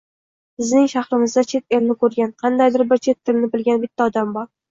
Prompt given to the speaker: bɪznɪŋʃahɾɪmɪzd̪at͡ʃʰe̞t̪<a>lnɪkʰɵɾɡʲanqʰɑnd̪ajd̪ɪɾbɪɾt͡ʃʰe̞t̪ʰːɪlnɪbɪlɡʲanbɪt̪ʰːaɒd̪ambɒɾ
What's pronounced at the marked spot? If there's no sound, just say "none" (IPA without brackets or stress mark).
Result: e